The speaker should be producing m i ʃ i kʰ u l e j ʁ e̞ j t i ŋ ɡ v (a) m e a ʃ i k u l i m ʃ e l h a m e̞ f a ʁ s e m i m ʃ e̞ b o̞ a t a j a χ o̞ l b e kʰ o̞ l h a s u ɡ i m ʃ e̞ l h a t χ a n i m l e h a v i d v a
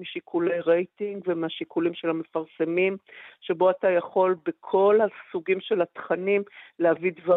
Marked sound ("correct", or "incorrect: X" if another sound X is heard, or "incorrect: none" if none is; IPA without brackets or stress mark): incorrect: e